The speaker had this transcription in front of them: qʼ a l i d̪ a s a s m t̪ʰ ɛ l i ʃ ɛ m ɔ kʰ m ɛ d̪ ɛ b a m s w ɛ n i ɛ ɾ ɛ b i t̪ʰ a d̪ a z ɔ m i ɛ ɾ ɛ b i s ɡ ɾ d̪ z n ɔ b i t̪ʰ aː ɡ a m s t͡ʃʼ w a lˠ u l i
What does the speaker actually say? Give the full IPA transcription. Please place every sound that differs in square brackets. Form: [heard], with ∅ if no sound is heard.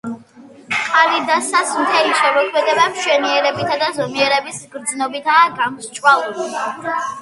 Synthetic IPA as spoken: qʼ a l i d̪ a s a s m t̪ʰ ɛ l i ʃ ɛ m ɔ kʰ m ɛ d̪ ɛ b a m [ʃ] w ɛ n i ɛ ɾ ɛ b i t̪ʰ a d̪ a z ɔ m i ɛ ɾ ɛ b i s ɡ ɾ d̪ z n ɔ b i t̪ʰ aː ɡ a m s t͡ʃʼ w a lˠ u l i